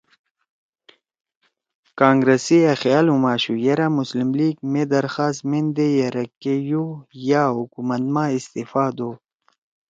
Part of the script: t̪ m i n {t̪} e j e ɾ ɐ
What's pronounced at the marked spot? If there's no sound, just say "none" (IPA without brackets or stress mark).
d̪